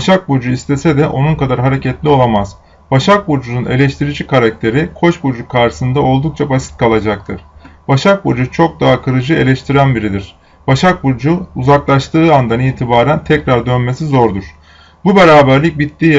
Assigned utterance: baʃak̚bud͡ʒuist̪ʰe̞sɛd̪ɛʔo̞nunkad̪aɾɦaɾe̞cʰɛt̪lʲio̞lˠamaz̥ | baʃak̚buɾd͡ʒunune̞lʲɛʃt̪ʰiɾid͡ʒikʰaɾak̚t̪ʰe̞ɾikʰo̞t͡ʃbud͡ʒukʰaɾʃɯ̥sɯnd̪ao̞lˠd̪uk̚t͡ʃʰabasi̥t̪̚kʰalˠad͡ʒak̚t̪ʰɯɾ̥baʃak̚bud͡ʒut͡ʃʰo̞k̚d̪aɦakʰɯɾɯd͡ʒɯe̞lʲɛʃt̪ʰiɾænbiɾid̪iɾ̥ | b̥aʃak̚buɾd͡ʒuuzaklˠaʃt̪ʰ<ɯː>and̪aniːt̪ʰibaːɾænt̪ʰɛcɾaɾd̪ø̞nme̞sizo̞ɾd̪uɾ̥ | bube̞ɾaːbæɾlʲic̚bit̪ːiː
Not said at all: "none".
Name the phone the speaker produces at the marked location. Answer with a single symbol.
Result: ɯː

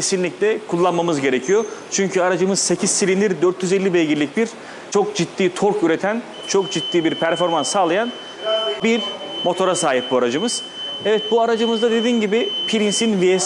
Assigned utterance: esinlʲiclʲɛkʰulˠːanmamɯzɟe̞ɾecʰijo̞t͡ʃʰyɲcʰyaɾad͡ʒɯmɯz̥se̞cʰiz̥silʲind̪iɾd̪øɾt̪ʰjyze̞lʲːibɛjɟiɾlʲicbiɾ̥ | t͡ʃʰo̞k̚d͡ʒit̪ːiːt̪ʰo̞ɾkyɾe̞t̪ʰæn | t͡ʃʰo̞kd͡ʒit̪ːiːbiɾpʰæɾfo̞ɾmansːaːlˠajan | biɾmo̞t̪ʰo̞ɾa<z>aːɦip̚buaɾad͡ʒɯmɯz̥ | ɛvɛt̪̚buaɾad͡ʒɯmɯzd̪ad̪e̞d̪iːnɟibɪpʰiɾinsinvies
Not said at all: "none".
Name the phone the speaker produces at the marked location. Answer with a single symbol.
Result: s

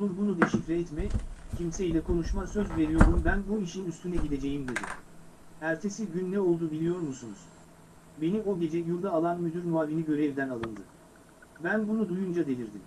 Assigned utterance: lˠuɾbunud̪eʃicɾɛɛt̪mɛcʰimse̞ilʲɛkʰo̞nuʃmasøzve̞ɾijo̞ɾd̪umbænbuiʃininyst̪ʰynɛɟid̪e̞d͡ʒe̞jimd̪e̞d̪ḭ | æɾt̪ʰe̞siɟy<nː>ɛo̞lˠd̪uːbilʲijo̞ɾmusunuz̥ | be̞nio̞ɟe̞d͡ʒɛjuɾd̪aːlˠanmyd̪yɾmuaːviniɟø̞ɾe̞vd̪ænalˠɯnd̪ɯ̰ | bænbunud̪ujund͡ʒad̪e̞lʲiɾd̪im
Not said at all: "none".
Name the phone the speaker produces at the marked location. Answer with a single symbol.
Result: nː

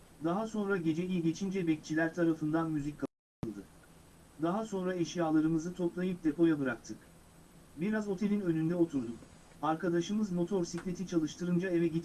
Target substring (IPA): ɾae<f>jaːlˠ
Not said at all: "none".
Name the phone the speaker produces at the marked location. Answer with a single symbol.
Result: ʃ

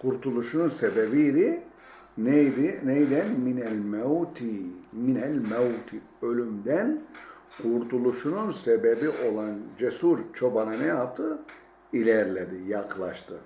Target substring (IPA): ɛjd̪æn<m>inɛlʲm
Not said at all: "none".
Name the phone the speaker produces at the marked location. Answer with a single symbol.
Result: m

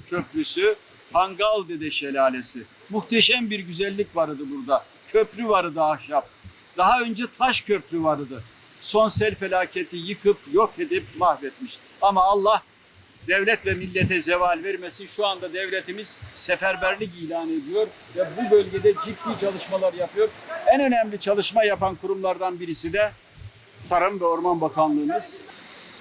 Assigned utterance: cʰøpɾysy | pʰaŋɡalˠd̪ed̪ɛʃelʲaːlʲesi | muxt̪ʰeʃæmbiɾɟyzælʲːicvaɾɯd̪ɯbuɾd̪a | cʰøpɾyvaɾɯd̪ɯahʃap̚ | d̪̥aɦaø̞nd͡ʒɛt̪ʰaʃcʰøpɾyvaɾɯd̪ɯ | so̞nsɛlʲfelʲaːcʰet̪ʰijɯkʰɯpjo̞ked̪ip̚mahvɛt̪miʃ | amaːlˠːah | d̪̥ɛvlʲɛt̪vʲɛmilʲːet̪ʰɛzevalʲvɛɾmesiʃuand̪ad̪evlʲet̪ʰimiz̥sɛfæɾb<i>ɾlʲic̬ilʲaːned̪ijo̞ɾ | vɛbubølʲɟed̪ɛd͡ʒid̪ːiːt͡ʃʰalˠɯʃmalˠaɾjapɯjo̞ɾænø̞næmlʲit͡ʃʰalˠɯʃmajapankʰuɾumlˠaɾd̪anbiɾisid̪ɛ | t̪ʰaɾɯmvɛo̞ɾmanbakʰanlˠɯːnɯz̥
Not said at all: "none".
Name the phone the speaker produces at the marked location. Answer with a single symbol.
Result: æ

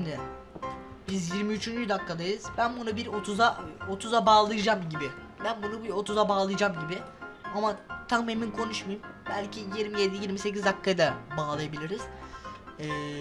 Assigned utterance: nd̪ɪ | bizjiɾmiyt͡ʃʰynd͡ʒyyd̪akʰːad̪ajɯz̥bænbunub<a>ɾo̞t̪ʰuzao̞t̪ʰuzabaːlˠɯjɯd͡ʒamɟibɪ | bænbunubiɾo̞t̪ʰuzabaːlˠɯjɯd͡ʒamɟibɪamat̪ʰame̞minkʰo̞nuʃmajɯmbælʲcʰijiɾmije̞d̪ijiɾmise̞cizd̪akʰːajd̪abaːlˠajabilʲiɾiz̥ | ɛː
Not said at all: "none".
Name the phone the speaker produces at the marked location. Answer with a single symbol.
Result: i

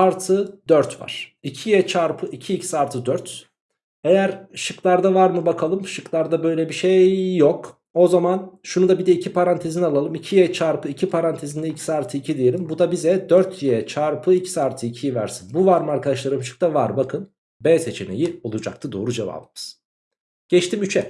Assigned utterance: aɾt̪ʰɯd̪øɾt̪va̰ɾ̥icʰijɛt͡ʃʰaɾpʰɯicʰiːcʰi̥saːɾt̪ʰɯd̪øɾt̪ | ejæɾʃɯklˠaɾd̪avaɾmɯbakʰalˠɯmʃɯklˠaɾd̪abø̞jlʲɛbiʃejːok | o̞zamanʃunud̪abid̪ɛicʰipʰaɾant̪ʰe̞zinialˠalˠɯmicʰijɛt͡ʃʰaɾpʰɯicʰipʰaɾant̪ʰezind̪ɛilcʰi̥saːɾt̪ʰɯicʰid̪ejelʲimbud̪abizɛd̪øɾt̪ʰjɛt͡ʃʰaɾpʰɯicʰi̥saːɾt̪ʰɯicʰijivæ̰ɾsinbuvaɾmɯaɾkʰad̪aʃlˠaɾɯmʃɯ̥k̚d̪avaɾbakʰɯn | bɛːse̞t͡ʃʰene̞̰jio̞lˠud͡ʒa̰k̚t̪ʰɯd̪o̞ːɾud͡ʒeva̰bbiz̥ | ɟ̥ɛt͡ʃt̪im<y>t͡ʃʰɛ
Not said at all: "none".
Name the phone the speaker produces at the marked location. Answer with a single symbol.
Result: y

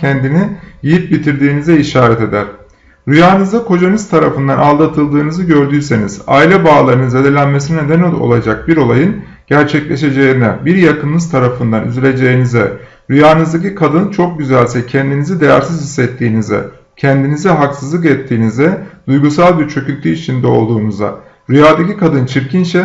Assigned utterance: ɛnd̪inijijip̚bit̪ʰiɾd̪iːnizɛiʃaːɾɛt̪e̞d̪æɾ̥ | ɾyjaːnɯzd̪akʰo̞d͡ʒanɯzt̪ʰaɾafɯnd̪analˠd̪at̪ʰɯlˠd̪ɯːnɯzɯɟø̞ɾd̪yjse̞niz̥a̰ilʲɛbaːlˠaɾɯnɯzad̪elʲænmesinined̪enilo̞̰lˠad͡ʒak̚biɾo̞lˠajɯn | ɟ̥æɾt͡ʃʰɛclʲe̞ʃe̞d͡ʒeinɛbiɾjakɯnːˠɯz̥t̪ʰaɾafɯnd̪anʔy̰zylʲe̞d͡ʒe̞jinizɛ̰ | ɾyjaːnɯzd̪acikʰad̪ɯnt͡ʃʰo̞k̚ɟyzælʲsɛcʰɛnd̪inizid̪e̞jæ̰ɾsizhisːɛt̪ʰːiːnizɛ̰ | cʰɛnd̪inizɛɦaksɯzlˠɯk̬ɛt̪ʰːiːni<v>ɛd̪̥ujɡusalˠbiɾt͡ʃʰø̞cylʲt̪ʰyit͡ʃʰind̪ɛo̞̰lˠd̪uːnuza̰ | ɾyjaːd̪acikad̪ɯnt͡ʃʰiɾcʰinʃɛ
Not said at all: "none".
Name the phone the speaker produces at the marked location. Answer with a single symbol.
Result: z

